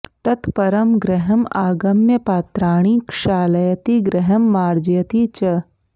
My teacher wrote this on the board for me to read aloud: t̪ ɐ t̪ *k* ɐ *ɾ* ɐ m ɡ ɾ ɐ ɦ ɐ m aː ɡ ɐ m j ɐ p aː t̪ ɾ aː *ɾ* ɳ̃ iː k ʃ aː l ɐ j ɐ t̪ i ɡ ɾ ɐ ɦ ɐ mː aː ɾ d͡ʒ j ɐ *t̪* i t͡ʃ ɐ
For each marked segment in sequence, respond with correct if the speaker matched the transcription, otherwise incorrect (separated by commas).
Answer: incorrect, correct, incorrect, correct